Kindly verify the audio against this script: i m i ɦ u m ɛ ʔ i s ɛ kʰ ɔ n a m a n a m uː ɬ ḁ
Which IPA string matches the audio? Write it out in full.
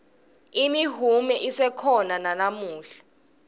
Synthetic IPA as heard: i m i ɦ u m ɛ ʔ i s ɛ kʰ ɔ n a n a n a m uː ɬ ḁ